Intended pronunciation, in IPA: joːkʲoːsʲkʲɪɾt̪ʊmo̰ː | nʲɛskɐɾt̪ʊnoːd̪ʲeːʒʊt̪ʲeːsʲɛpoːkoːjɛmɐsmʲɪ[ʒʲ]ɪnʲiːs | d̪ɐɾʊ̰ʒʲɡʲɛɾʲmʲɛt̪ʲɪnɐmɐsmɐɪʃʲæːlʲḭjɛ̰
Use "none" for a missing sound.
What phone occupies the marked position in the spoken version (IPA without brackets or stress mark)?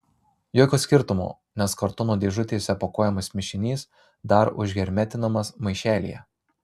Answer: ʃʲ